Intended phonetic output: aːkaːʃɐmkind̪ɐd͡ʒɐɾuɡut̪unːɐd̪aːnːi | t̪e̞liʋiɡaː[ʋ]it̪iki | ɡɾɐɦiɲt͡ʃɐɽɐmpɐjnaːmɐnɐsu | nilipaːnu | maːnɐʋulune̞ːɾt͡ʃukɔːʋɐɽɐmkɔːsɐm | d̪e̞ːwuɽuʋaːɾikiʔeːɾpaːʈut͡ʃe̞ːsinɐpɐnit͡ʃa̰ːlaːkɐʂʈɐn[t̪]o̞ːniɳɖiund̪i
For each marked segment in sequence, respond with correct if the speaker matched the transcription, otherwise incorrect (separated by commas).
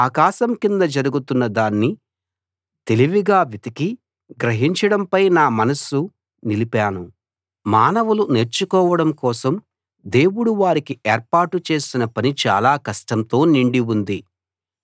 correct, correct